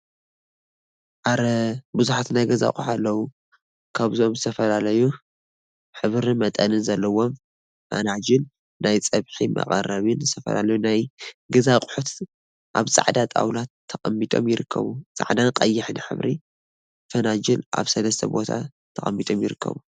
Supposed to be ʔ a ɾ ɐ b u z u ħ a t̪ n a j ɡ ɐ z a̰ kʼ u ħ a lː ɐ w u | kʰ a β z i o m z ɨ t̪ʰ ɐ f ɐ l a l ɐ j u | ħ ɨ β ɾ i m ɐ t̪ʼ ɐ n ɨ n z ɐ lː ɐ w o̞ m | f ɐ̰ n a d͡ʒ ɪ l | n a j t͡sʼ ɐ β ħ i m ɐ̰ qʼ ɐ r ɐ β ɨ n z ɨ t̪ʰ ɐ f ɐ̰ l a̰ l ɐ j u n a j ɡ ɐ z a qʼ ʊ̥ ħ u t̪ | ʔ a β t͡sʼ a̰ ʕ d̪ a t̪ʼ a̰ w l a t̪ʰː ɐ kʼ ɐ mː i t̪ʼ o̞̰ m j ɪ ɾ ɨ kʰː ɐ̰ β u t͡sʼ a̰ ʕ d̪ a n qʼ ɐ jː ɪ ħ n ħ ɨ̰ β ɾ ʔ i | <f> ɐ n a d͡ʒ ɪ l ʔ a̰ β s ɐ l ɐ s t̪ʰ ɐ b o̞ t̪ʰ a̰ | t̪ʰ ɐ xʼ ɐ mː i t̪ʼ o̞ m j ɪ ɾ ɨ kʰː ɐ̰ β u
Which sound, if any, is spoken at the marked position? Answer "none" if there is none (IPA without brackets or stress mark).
f